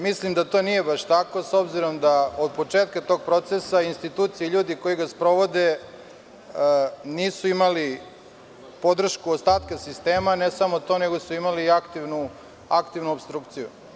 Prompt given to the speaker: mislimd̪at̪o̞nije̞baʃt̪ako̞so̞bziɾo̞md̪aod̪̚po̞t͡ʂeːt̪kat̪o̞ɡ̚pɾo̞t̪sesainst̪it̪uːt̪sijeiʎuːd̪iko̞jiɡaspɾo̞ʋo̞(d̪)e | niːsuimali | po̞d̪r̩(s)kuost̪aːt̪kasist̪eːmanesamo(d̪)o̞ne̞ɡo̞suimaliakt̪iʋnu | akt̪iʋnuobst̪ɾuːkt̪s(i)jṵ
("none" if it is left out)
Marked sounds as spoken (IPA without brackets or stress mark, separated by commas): d̪, ʃ, t̪, i